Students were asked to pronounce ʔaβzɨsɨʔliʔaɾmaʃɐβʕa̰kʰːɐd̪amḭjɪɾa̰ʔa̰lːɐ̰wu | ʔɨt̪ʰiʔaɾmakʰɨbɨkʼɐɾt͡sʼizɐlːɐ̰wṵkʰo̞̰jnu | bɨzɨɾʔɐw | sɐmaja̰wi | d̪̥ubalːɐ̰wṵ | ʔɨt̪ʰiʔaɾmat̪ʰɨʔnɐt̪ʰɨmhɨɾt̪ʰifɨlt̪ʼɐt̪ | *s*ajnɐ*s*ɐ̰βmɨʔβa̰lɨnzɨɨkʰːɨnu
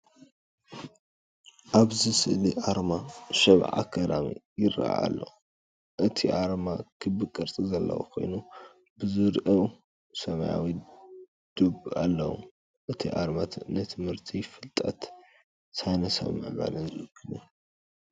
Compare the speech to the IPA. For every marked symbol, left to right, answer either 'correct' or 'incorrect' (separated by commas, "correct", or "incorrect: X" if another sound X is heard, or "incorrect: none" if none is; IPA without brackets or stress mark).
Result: correct, correct